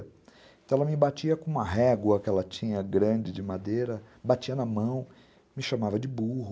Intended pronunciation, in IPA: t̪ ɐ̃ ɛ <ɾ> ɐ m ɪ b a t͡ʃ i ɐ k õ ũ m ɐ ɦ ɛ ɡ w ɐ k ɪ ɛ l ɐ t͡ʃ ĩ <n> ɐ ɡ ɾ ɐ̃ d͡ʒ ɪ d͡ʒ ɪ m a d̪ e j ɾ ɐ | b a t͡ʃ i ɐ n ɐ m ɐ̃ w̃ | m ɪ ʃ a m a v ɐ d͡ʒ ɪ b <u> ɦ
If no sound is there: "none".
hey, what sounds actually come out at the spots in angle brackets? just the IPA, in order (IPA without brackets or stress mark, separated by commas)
l, ɲ, u